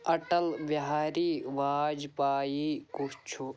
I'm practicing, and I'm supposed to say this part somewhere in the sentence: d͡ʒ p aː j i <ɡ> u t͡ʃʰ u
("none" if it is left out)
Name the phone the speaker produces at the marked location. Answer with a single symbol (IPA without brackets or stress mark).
k